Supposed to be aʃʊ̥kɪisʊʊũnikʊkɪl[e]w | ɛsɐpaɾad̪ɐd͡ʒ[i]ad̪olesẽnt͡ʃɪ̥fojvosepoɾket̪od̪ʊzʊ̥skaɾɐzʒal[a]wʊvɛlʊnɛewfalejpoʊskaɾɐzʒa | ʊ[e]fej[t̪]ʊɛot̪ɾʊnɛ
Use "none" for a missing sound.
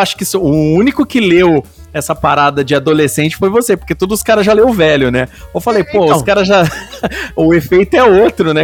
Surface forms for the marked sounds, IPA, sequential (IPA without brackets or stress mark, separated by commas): e, ɪ, e, e, t̪